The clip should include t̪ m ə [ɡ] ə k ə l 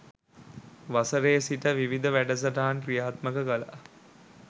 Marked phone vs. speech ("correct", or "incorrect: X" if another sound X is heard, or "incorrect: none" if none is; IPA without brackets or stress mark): incorrect: k